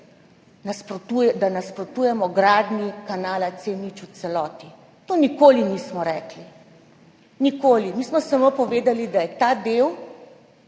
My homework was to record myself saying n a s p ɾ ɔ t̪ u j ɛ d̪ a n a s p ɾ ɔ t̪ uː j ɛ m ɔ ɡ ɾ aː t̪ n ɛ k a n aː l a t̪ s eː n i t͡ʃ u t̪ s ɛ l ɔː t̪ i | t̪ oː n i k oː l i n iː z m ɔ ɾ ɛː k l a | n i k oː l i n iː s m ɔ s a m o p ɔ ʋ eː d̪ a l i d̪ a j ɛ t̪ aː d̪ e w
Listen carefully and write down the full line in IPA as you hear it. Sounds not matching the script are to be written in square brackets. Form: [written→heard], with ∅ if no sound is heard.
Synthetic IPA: n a s p ɾ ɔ t̪ u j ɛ d̪ a n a s p ɾ ɔ t̪ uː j ɛ m ɔ ɡ ɾ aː [t̪→d̪] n [ɛ→i] k a n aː l a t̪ s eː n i t͡ʃ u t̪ s ɛ l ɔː t̪ i | t̪ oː n i k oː l i n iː [z→s] m ɔ ɾ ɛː k l [a→i] | n i k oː l i [n→m] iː s m ɔ s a m o p ɔ ʋ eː d̪ a l i d̪ a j ɛ t̪ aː d̪ e w